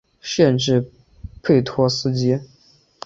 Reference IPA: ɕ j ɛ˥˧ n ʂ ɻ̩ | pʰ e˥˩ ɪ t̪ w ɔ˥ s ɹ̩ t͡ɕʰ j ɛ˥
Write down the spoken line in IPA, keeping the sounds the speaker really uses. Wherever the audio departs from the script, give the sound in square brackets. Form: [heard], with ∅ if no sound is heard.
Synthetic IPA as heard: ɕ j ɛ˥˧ n [ʈ͡ʂ] ɻ̩ | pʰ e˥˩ ɪ [t̪ʰ] w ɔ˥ s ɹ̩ [t͡ɕ] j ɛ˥